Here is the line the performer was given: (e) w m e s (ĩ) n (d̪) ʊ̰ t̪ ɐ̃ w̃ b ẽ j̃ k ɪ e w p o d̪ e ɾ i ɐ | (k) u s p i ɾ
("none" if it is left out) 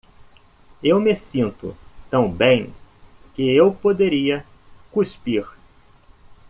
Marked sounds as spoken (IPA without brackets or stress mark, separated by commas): e, ĩ, t̪, k